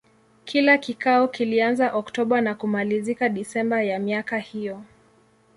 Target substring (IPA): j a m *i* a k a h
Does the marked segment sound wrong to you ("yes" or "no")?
no